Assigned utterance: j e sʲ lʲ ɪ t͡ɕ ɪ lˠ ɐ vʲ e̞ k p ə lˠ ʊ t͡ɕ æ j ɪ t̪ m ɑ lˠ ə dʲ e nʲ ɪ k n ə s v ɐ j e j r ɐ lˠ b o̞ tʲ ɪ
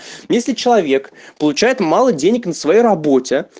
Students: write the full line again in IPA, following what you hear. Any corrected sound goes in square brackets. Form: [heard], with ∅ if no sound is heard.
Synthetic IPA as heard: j e sʲ lʲ ɪ t͡ɕ ɪ lˠ ɐ vʲ e̞ k p ə lˠ ʊ t͡ɕ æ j ɪ t̪ m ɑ lˠ ə dʲ e nʲ ɪ k n ə s v ɐ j e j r ɐ [∅] b o̞ tʲ ɪ